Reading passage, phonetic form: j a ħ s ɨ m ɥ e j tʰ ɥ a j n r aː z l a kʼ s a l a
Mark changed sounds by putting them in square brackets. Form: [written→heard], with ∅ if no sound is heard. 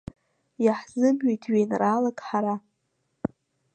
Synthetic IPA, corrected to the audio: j a ħ [s→z] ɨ m ɥ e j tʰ ɥ [a→e] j n r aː [z→∅] l a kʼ [s→ħ] a [l→ɾ] a